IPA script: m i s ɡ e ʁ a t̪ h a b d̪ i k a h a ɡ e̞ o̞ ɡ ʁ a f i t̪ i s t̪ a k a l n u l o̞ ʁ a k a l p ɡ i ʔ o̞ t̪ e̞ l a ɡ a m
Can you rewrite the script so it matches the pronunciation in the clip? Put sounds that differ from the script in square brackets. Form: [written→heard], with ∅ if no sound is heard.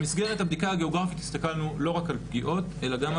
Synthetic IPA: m i s ɡ e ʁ [a→e] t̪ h a b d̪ i k a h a ɡ e̞ o̞ ɡ ʁ a f i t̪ i s t̪ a k a l n u l o̞ ʁ a k a l p ɡ i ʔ o̞ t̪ e̞ l a ɡ a m